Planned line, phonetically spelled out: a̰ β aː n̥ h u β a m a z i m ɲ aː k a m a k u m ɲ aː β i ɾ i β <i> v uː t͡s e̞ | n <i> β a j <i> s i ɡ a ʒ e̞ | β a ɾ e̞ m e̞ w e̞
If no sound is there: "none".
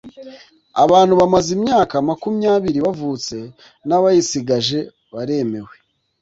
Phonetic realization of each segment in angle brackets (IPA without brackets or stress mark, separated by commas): a, a, i